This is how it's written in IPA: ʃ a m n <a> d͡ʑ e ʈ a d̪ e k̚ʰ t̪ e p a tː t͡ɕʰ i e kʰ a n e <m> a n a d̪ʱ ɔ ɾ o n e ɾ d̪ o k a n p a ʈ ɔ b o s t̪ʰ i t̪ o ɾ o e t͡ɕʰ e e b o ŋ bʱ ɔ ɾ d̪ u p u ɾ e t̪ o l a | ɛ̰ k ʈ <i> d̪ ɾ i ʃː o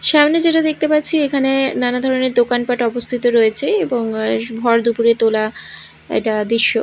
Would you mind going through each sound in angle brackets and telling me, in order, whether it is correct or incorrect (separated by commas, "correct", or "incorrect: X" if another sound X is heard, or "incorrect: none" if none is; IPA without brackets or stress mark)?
incorrect: e, incorrect: n, incorrect: a